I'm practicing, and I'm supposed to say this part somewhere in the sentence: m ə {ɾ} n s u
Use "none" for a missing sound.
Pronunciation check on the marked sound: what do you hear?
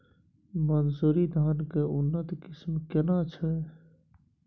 none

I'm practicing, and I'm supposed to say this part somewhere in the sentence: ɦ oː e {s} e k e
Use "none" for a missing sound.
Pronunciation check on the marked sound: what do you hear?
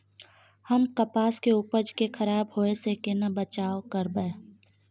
s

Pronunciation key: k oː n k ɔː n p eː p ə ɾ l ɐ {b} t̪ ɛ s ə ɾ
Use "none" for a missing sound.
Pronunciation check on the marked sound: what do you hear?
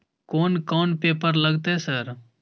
ɡ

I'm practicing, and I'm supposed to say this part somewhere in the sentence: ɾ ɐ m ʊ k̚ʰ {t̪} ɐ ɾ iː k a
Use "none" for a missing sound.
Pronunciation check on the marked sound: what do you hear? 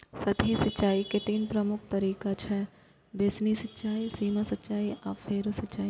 t̪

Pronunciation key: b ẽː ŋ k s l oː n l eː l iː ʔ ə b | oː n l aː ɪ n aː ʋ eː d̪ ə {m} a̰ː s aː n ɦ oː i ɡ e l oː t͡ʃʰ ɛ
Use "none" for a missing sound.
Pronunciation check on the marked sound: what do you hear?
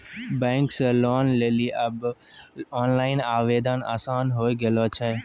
n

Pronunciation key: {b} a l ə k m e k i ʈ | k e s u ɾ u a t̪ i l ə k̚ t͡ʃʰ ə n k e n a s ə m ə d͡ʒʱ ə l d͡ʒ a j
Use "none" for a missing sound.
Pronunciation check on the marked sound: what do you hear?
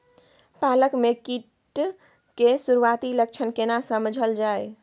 p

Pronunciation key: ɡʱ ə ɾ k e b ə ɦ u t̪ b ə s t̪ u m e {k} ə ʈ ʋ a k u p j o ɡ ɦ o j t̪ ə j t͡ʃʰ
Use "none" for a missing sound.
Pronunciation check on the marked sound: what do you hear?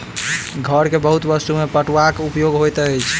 p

